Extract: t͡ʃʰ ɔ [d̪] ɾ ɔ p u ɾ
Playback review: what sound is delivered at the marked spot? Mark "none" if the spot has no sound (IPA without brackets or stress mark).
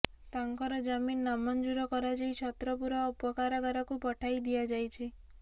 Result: t̪